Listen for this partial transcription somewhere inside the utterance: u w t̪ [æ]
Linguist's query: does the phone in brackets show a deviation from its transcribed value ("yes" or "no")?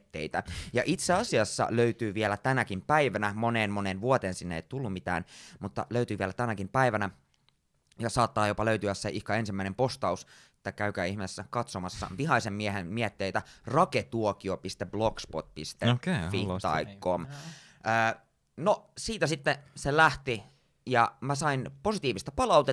yes